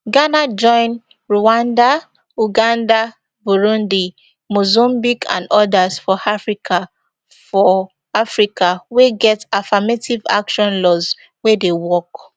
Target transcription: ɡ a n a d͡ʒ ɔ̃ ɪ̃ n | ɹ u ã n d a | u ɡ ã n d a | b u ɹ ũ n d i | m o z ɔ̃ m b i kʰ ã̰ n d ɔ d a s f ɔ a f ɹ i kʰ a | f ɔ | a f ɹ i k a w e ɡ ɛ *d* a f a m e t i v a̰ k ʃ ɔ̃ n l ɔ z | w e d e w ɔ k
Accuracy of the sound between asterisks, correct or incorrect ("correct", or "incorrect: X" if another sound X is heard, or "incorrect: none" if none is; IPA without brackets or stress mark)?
incorrect: t